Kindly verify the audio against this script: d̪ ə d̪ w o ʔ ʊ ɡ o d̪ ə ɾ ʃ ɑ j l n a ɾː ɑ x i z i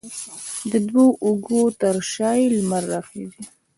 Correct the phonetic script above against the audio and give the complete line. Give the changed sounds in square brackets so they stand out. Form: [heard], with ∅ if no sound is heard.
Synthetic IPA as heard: d̪ ə d̪ w o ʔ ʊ ɡ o [t̪] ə ɾ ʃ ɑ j l [m] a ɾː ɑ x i z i